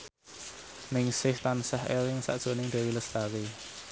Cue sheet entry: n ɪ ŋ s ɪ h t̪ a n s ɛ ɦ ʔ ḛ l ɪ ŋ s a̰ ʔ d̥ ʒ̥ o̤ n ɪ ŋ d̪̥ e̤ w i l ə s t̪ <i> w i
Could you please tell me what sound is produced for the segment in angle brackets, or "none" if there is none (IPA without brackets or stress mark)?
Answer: a